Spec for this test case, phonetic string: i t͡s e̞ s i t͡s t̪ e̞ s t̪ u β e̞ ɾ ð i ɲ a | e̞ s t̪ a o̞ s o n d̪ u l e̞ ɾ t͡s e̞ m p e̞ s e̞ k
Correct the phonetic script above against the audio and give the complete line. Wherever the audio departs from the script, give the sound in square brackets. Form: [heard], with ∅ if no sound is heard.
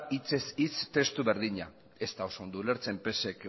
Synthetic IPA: i t͡s e̞ s i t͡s t̪ e̞ s t̪ u β e̞ ɾ ð i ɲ a | e̞ s t̪ a o̞ s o n d̪ u l e̞ ɾ t͡s e̞ m p e̞ s e̞ k

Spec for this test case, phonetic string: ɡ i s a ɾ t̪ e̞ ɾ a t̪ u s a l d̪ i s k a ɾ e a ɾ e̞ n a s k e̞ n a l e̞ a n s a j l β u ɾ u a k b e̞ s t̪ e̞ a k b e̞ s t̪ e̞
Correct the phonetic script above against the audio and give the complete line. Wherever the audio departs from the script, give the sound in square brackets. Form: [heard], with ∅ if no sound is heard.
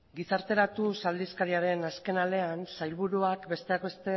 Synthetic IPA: ɡ i s a ɾ t̪ e̞ ɾ a t̪ u s a l d̪ i s k a ɾ [i] a ɾ e̞ n a s k e̞ n a l e̞ a n s a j l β u ɾ u a k b e̞ s t̪ e̞ a k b e̞ s t̪ e̞

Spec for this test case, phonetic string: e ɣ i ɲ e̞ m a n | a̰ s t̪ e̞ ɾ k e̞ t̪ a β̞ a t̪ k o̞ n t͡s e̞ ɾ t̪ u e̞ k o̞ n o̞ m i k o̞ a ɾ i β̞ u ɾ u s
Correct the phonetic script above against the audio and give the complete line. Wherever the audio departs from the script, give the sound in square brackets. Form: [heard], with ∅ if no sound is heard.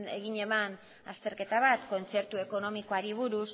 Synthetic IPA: e ɣ i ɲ e̞ m a n | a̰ s t̪ e̞ ɾ k e̞ t̪ a β̞ a t̪ k o̞ n t͡s e̞ ɾ t̪ u e̞ k o̞ n o̞ m i k o̞ a ɾ i β̞ u ɾ u s

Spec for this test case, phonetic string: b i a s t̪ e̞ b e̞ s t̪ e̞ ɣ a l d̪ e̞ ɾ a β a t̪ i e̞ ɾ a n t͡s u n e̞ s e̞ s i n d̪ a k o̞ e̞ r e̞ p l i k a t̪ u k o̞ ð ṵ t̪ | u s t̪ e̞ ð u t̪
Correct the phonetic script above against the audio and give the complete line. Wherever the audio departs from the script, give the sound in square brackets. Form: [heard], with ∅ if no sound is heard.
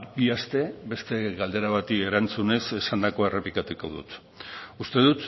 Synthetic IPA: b i a s t̪ e̞ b e̞ s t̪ e̞ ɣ a l d̪ e̞ ɾ a β a t̪ i e̞ ɾ a n t͡s u n e̞ s e̞ s [a] n d̪ a k o̞ e̞ r e̞ p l i k a t̪ u k o̞ ð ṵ t̪ | u s t̪ e̞ ð u t̪

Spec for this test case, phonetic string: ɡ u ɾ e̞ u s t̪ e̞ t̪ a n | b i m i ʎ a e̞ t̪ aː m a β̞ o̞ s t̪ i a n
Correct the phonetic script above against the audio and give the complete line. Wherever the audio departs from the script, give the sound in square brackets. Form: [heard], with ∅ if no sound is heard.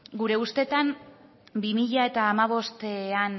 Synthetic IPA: ɡ u ɾ e̞ u s t̪ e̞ t̪ a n | b i m i ʎ a e̞ t̪ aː m a β̞ o̞ s t̪ [e] a n

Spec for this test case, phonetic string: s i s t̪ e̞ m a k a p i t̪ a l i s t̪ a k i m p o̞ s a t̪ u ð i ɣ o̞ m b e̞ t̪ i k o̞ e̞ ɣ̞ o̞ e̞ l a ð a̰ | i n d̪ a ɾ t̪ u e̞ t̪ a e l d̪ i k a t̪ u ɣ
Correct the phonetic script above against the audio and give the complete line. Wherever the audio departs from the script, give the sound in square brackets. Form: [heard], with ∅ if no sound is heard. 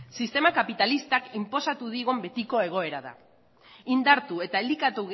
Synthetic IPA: s i s t̪ e̞ m a k a p i t̪ a l i s t̪ a k i m p o̞ s a t̪ u ð i ɣ o̞ m b e̞ t̪ i k o̞ e̞ ɣ̞ o̞ e̞ [ɾ] a ð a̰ | i n d̪ a ɾ t̪ u e̞ t̪ a e l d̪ i k a t̪ u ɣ

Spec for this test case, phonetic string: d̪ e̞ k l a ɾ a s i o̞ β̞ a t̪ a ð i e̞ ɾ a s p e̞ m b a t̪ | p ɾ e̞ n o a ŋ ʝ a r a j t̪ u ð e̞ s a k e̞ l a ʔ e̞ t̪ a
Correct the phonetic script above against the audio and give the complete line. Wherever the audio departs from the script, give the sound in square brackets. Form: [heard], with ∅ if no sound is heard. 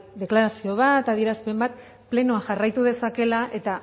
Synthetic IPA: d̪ e̞ k l a ɾ a s i o̞ β̞ a t̪ a ð i e̞ ɾ a s p e̞ m b a t̪ | p [l] e̞ n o a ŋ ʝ a r a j t̪ u ð e̞ s a k e̞ l a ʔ e̞ t̪ a

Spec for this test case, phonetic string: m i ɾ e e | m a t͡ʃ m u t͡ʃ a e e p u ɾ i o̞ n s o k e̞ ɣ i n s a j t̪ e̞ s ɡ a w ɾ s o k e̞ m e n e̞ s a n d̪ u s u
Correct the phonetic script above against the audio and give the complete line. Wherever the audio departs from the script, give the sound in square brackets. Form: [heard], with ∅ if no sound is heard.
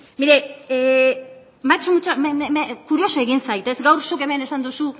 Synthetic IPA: m i ɾ e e | m a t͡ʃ m u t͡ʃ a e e [k] u ɾ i o̞ [∅] s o [∅] e̞ ɣ i n s a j t̪ e̞ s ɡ a w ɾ s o k e̞ m e n e̞ s a n d̪ u s u

